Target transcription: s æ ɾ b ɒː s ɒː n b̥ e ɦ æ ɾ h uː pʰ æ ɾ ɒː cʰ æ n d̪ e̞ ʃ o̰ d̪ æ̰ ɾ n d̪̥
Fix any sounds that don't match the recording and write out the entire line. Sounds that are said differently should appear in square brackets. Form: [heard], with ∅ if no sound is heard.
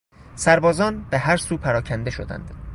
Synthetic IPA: s æ ɾ b ɒː [z] ɒː n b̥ e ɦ æ ɾ [s] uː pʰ æ ɾ ɒː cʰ æ n d̪ e̞ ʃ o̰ d̪ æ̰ [∅] n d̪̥